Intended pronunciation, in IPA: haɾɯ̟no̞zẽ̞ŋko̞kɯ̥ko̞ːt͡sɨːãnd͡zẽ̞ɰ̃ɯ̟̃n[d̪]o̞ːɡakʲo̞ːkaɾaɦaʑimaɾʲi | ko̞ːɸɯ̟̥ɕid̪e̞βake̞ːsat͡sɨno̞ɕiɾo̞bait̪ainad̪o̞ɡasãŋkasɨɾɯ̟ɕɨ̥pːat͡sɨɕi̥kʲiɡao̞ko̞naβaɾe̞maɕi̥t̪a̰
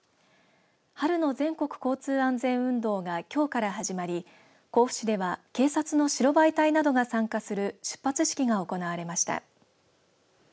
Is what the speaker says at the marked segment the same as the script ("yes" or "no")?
yes